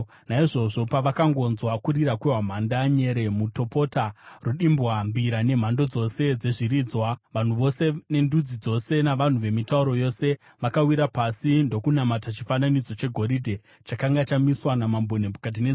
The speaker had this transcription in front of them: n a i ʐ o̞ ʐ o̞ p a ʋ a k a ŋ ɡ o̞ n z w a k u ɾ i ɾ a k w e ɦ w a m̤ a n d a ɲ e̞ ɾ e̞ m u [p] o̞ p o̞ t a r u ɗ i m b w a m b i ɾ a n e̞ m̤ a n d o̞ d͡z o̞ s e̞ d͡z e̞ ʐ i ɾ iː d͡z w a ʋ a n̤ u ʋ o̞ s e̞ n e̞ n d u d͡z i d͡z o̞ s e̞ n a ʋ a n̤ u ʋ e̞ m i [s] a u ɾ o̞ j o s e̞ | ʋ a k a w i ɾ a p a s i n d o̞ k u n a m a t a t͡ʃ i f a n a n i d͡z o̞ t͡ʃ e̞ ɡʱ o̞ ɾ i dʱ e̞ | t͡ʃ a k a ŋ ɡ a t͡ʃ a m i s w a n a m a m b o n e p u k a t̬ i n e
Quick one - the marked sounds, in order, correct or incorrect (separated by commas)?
incorrect, incorrect